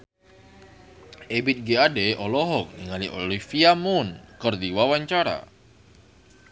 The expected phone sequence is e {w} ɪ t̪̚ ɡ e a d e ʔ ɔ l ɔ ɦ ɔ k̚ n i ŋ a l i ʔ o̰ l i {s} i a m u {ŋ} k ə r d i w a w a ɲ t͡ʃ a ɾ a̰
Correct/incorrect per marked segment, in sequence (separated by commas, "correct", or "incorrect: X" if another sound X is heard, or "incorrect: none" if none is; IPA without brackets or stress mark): incorrect: b, incorrect: f, incorrect: n